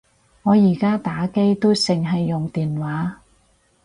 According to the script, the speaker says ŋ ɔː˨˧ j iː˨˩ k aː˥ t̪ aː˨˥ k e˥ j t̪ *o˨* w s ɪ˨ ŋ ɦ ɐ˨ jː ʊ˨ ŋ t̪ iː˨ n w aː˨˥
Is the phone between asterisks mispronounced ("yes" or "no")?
yes